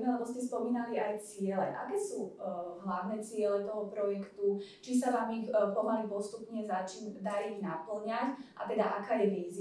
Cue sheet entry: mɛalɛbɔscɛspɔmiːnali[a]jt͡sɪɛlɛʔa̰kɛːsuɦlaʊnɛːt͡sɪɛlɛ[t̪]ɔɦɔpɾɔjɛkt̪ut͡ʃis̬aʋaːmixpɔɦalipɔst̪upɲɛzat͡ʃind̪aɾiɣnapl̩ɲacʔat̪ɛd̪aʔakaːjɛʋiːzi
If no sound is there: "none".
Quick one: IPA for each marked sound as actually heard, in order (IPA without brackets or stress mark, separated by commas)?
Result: a, t̪